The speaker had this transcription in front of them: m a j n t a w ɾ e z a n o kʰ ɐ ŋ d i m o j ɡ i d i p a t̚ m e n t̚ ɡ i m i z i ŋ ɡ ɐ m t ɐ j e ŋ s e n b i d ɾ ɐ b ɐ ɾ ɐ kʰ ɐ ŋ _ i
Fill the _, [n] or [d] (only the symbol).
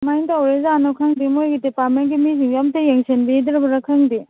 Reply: d